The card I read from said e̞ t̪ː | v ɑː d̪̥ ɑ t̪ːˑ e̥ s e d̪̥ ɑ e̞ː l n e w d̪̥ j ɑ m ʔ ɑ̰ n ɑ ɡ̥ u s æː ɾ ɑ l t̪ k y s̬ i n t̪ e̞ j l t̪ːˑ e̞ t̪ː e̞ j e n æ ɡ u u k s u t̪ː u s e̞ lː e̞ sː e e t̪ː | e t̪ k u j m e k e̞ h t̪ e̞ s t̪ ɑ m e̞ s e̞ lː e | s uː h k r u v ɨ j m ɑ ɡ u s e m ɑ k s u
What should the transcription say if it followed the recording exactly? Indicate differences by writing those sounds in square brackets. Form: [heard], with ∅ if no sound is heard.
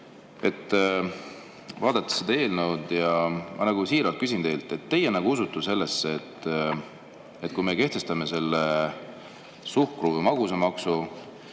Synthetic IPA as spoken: e̞ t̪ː | v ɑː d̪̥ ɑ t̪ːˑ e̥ s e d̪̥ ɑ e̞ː l n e w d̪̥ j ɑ m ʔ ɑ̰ n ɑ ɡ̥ u s [iː] ɾ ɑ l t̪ k y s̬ i n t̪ e̞ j l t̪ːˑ e̞ t̪ː e̞ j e n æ ɡ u u [∅] s u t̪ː u s e̞ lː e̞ sː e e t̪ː | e t̪ k u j m e k e̞ h t̪ e̞ s t̪ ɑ m e̞ s e̞ lː e | s [u] h k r u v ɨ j m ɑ ɡ u s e m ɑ k s u